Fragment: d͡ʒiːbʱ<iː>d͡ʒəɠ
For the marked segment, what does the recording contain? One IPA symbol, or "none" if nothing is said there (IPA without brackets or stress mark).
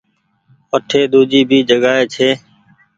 iː